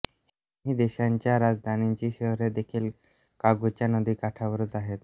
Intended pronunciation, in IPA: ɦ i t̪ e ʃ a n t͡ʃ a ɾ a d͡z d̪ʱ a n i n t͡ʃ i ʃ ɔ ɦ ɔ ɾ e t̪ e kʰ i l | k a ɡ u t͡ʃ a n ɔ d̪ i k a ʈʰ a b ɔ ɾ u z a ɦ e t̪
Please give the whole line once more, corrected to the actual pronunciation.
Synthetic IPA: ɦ i d̪ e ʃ a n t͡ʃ a ɾ a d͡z d̪ʱ a n i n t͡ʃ i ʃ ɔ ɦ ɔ ɾ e d̪ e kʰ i l | k a ɡ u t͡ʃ a n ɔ d̪ i k a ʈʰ a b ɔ ɾ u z a ɦ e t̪